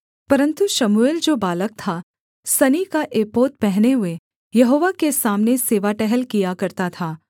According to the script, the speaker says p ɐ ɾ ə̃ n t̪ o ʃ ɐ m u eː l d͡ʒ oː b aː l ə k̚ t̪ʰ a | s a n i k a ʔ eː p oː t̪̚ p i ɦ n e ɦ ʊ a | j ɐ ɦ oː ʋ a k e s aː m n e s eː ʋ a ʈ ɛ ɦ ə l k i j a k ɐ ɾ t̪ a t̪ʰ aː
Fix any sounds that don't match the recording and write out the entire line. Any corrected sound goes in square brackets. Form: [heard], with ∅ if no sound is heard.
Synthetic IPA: p ɐ ɾ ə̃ n t̪ [u] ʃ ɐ m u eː l d͡ʒ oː b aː l ə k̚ t̪ʰ a | s [ɐ] n i k a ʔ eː p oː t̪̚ p [ɛ] ɦ n e ɦ ʊ [e] | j ɐ ɦ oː ʋ a k e s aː m n e s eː ʋ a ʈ ɛ ɦ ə l k i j a k ɐ ɾ t̪ a t̪ʰ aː

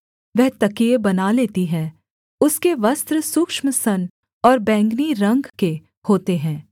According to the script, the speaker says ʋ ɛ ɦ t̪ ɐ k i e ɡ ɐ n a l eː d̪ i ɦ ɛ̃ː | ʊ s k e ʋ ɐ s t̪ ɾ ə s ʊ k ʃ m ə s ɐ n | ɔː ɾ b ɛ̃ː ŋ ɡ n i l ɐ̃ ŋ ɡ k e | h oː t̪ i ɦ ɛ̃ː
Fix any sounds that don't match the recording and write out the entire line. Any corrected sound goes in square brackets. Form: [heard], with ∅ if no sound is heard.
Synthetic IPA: ʋ ɛ ɦ t̪ ɐ k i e [b] ɐ n a l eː [t̪] i ɦ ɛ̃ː | ʊ s k e ʋ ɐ s t̪ ɾ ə s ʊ k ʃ m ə s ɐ n | ɔː ɾ b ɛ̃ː ŋ ɡ n i [ɾ] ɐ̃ ŋ ɡ k e | h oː t̪ [e] ɦ ɛ̃ː

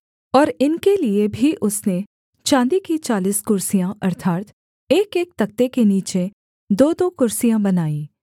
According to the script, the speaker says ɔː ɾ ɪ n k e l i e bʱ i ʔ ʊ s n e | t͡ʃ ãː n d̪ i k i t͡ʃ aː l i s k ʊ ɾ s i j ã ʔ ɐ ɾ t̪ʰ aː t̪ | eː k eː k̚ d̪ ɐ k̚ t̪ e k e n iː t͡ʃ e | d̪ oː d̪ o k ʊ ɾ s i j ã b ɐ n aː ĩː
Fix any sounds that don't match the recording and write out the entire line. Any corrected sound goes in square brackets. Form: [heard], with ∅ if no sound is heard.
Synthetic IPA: ɔː ɾ ɪ n k e l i e bʱ i ʔ ʊ s n e | t͡ʃ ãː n d̪ i k i t͡ʃ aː l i s k ʊ ɾ s i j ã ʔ ɐ ɾ t̪ʰ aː t̪ | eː k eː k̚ [t̪] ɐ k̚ t̪ e k e n iː t͡ʃ e | d̪ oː d̪ o k ʊ ɾ s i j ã b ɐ n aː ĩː

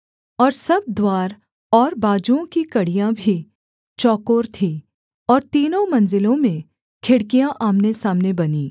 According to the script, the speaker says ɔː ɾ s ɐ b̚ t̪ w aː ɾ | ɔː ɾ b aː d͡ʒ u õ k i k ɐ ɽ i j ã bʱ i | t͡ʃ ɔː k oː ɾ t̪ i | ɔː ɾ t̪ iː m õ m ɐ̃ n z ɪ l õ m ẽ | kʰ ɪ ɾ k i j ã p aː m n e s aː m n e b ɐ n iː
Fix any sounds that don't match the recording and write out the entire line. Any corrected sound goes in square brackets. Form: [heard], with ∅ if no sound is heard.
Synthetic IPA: ɔː ɾ s ɐ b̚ [d̪] w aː ɾ | ɔː ɾ b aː d͡ʒ u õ k i k ɐ ɽ i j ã bʱ i | t͡ʃ ɔː k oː ɾ [t̪ʰ] i | ɔː ɾ t̪ iː [n] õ m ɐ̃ n z ɪ l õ m ẽ | kʰ ɪ [ɽ] k i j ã [ʔ] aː m n e s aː m n e b ɐ n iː

